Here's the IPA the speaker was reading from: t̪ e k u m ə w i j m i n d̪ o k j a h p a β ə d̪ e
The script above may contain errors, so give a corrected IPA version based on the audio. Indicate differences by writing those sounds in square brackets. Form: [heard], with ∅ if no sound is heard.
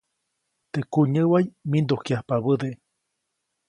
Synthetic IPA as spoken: t̪ e k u [ɲ] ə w [a] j m i n d̪ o k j a h p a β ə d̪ e